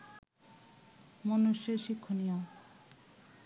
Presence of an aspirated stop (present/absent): present